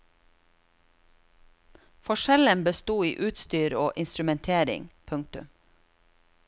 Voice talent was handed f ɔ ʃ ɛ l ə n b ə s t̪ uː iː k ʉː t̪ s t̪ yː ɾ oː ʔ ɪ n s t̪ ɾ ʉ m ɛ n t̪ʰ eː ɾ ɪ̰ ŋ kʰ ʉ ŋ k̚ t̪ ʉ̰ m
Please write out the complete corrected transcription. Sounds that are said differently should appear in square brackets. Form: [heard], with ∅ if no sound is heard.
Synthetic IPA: f ɔ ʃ ɛ l ə n b ə s t̪ uː iː [ʔ] ʉː t̪ s t̪ yː ɾ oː ʔ ɪ n s t̪ ɾ ʉ m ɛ n t̪ʰ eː ɾ ɪ̰ ŋ [pʰ] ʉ ŋ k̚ t̪ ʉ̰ m